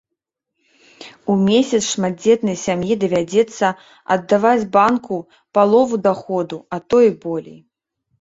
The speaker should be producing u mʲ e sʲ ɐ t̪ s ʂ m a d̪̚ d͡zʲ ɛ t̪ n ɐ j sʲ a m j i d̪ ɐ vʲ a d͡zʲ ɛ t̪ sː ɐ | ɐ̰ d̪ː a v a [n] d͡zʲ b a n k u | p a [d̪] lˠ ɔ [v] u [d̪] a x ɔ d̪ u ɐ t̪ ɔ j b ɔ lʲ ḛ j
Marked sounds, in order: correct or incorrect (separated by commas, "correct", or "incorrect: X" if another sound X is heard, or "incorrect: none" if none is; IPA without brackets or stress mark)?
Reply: incorrect: none, incorrect: none, correct, correct